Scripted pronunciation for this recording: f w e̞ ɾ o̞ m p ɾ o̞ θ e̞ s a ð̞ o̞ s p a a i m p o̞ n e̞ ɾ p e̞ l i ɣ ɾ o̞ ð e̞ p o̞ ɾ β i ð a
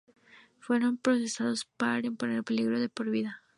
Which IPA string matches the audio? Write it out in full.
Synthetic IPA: f w e̞ ɾ o̞ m p ɾ o̞ s e̞ s a ð̞ o̞ s p a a i m p o̞ n e̞ ɾ p e̞ l i ɣ ɾ o̞ ð e̞ p o̞ ɾ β i ð a